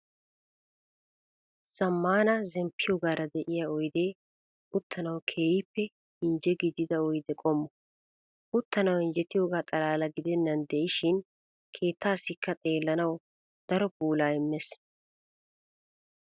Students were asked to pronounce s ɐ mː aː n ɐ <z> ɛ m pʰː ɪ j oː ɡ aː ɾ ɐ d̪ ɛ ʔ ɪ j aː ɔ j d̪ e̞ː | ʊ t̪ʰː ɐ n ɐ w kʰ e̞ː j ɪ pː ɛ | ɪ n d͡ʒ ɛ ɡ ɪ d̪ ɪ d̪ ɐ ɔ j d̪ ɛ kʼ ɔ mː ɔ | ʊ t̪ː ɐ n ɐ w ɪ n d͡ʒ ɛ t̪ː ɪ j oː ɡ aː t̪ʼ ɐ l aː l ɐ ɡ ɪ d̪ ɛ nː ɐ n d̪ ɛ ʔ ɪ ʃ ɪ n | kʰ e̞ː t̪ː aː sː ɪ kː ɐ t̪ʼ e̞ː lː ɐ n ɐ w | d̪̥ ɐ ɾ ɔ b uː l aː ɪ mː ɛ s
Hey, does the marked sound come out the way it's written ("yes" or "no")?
yes